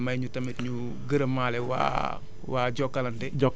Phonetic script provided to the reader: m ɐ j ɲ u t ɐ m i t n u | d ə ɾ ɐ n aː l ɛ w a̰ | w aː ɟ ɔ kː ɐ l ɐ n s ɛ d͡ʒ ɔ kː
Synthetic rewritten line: m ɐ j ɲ u t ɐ m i t ɲ u | ɡ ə ɾ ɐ m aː l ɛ w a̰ | w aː ɟ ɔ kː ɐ l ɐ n t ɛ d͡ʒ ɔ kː